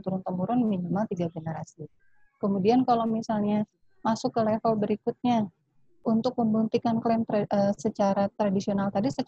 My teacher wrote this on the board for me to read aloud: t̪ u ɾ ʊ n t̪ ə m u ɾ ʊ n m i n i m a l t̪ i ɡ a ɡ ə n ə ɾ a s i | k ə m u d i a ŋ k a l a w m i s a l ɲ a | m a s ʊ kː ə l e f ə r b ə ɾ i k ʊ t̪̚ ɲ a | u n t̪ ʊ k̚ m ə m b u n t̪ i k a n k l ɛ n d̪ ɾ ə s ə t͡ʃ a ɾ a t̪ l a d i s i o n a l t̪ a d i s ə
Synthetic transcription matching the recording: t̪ u ɾ ʊ n t̪ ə m u ɾ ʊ n m i n i m a l t̪ i ɡ a ɡ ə n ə ɾ a s i | k ə m u d i a n k a l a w m i s a l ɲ a | m a s ʊ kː ə l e f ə l b ə ɾ i k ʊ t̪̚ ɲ a | u n t̪ ʊ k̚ m ə m b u n t̪ i k a n k l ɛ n t̪ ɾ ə s ə t͡ʃ a ɾ a t̪ ɾ a d i s i o n a l t̪ a d i s ə